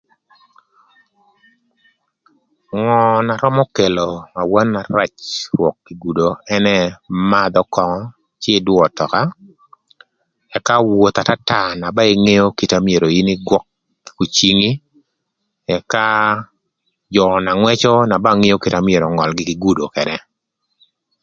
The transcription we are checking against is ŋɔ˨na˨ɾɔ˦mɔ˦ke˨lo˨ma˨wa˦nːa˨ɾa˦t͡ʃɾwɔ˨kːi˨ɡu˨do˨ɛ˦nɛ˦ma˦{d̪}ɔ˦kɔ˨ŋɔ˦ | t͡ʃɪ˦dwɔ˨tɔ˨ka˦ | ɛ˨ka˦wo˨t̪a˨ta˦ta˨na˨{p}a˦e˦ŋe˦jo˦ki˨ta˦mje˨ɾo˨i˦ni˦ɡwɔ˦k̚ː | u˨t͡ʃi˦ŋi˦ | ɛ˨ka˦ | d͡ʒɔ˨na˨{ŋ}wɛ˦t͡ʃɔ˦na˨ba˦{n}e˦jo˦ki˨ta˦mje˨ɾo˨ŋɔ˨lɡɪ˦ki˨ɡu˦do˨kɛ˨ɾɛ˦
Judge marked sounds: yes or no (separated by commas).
yes, no, yes, no